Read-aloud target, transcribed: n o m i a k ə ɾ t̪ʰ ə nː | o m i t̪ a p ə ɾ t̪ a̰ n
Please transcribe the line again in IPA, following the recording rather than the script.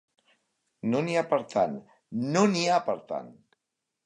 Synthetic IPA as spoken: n o n i a p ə ɾ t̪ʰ a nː | o n i a p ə ɾ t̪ a̰ n